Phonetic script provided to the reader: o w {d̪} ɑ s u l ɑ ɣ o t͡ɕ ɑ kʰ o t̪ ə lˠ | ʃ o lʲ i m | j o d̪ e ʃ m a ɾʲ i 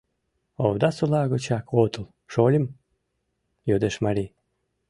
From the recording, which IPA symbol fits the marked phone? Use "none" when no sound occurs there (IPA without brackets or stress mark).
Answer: d̪